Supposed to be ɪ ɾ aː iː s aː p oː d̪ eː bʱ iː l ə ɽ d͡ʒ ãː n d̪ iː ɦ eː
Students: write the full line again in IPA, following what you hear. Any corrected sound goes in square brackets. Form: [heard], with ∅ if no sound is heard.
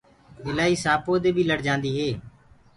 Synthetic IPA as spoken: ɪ [l] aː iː s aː p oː d̪ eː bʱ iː l ə ɽ d͡ʒ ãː n d̪ iː ɦ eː